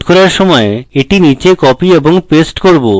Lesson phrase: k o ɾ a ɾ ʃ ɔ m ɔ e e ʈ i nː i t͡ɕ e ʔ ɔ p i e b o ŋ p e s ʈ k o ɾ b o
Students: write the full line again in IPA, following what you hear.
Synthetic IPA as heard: k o ɾ a ɾ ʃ ɔ m ɔ e e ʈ i n i t͡ɕ e k ɔ p i e b o ŋ p e s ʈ k o ɾ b o